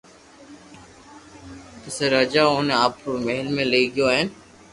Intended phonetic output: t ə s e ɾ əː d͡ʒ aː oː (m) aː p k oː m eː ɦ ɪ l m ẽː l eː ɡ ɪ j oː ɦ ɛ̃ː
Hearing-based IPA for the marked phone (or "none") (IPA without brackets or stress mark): n